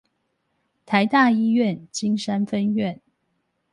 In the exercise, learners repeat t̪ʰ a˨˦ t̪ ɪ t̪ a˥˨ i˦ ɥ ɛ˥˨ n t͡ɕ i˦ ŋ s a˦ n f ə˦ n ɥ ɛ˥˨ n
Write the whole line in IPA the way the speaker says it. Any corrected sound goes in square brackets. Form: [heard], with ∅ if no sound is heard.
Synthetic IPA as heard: t̪ʰ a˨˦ [∅] ɪ t̪ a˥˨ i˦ ɥ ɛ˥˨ n t͡ɕ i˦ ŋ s a˦ n f ə˦ n ɥ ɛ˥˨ n